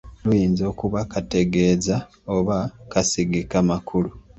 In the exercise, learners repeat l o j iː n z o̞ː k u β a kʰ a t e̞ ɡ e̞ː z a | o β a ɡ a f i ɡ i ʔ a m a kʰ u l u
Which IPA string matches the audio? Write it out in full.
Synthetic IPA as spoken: l u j iː n z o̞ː k u β a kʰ a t e̞ ɡ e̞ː z a | o β a k a s i ɡ i k a m a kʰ u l u